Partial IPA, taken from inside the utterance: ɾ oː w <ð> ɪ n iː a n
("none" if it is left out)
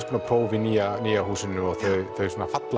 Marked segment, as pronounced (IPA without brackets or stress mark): v